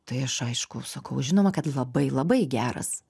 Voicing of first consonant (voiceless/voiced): voiceless